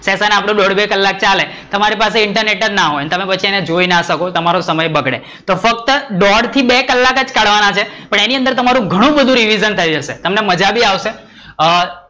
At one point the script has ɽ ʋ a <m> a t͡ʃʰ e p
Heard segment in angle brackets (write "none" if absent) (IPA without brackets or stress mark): n